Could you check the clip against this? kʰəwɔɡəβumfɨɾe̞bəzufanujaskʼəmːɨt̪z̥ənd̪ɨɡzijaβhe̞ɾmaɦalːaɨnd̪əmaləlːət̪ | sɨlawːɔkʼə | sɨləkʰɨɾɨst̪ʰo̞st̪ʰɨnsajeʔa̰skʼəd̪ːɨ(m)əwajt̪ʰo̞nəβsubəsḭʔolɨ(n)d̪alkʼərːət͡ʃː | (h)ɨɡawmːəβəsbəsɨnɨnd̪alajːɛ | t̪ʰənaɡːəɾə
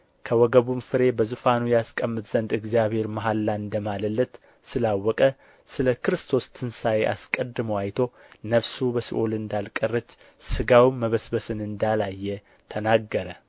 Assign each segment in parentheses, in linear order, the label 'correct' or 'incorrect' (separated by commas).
correct, correct, incorrect